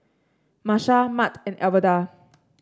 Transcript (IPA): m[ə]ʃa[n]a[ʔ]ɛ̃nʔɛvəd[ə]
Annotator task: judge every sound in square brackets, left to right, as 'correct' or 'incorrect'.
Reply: incorrect: a, incorrect: m, incorrect: t, incorrect: a

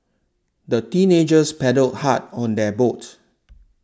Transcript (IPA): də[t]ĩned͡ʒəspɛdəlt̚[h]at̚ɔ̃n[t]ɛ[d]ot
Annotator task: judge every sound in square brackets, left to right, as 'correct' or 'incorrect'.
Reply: correct, correct, incorrect: d, incorrect: b

